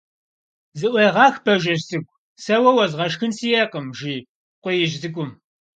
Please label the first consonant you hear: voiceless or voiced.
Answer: voiced